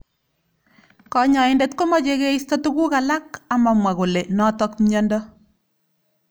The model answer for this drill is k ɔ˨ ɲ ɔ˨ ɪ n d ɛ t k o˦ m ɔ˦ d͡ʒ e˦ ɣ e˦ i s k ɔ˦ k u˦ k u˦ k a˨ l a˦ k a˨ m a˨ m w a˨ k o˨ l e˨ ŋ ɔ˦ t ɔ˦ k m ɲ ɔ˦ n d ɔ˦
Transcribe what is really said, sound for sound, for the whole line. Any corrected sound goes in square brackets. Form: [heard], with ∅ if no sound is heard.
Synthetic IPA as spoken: k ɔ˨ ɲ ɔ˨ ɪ n d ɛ t k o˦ m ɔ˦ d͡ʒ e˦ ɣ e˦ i s [t] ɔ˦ [t] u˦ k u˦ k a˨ l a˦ k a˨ m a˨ m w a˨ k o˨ l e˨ [n] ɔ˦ t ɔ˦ k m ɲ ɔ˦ n d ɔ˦